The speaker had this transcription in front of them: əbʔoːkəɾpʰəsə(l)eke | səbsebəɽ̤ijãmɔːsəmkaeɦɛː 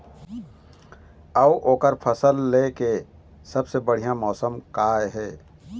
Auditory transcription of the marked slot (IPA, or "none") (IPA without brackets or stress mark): lː